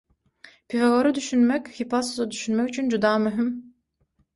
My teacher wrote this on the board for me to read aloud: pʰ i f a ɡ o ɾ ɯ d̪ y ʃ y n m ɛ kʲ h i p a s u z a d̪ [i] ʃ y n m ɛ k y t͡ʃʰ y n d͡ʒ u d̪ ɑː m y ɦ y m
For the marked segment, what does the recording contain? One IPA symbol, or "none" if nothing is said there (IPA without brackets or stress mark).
y